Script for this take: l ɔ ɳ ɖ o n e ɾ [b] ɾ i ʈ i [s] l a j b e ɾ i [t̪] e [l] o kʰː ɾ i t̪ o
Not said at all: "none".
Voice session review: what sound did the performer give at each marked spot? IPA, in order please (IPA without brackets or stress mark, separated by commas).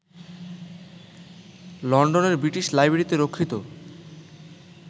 b, ʃ, t̪, ɾ